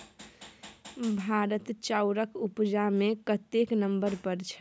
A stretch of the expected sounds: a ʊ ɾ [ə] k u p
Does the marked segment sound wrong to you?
no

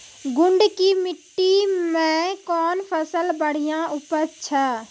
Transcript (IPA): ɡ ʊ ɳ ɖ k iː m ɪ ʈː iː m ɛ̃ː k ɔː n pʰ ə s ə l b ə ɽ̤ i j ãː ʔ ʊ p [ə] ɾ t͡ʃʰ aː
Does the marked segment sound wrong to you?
no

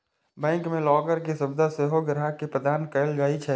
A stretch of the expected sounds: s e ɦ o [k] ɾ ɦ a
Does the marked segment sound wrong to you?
yes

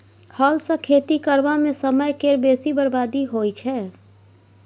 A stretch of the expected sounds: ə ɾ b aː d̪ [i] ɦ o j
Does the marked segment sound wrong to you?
no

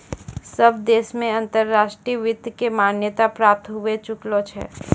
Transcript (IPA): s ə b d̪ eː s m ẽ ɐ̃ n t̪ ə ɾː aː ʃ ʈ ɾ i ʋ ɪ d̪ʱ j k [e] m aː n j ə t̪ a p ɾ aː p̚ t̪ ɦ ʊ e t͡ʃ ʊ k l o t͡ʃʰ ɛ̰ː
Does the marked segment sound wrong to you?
no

